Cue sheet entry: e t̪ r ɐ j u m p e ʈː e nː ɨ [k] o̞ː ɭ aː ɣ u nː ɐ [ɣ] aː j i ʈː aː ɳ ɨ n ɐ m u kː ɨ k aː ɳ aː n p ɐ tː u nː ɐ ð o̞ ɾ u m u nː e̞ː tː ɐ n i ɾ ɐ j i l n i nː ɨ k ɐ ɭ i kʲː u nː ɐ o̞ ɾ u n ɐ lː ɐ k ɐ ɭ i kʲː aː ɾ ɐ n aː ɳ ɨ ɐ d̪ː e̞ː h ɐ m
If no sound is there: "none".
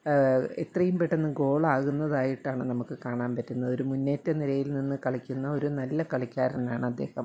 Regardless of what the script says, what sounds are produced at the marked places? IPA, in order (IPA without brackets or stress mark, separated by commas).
ɡ, ð